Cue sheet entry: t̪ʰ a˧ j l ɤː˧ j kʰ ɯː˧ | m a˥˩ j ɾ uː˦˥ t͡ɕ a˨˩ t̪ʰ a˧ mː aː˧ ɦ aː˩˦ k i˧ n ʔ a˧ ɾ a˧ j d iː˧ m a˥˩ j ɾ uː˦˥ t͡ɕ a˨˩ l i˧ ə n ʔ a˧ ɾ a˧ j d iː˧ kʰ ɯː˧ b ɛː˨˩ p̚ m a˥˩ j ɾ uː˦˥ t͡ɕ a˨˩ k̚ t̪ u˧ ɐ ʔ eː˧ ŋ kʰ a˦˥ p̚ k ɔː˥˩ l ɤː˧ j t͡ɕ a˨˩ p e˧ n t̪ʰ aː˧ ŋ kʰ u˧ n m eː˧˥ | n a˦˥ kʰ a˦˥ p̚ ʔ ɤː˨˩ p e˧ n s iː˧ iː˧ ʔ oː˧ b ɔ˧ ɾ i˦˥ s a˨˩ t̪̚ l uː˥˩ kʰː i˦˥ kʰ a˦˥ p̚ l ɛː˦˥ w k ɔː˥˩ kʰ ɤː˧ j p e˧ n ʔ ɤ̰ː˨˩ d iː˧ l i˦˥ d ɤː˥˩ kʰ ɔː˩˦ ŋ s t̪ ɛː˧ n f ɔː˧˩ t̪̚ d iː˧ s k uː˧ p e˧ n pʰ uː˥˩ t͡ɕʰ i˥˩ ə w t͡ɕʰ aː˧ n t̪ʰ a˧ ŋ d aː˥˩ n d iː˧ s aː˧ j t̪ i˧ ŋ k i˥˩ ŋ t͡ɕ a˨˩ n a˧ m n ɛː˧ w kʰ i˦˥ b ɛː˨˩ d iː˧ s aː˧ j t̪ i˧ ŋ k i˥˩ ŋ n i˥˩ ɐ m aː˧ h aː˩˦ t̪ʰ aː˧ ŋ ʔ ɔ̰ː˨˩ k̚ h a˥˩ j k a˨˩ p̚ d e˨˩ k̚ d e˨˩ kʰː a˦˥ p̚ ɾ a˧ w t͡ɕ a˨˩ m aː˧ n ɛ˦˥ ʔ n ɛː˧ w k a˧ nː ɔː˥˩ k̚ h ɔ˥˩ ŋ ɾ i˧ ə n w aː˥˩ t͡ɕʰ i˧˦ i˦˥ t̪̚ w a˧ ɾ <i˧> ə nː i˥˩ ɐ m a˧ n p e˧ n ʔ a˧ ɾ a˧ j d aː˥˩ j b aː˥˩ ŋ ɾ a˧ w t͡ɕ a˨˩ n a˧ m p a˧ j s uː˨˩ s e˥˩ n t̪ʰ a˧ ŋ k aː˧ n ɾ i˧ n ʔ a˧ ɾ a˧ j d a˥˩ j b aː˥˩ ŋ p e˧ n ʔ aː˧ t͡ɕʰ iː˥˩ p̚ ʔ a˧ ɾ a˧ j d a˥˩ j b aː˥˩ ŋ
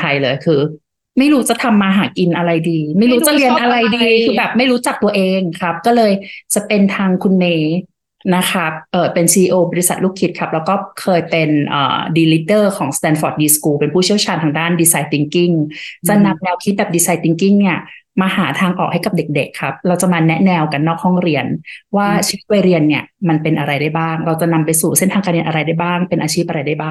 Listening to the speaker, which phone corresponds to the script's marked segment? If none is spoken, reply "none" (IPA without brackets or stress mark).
i˧